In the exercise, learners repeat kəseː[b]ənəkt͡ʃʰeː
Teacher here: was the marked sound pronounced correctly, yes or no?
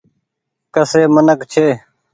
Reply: no